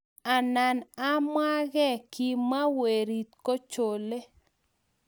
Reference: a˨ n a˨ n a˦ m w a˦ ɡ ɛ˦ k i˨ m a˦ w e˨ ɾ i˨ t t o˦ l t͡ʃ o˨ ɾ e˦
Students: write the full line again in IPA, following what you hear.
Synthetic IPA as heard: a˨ n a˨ n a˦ m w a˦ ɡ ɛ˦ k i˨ m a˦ w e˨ ɾ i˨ t k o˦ t͡ʃ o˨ l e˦